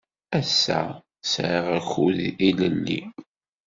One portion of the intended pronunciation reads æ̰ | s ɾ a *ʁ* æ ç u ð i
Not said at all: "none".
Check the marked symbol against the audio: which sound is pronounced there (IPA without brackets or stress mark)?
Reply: ʁ